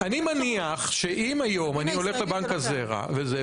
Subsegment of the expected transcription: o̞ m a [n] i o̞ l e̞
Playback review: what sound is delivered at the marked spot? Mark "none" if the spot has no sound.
n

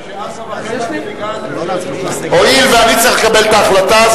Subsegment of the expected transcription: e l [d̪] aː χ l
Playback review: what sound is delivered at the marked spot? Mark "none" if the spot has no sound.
t̪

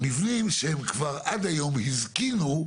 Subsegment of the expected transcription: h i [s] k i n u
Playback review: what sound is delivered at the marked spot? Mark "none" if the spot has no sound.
z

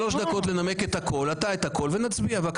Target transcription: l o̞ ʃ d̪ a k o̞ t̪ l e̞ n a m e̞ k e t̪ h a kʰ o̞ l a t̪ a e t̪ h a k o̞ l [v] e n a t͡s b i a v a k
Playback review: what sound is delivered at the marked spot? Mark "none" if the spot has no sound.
v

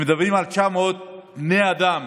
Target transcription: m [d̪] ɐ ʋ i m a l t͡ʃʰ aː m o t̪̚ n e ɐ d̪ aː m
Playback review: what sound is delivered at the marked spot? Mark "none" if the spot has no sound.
d̪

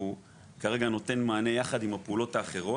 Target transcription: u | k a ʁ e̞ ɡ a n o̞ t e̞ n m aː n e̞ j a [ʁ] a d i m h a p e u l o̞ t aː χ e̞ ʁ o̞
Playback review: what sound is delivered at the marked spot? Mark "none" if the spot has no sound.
χ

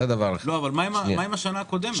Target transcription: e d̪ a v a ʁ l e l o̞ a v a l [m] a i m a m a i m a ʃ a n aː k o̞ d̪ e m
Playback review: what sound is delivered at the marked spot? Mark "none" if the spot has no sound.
m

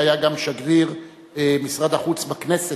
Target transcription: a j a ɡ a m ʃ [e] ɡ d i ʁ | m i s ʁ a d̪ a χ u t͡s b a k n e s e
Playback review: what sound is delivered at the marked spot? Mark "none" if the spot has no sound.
a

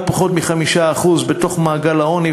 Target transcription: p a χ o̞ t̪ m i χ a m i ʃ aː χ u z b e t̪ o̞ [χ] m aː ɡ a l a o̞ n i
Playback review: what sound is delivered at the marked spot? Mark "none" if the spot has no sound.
χ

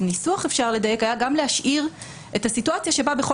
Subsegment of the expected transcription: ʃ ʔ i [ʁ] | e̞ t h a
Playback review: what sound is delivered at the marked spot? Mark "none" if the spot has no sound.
ʁ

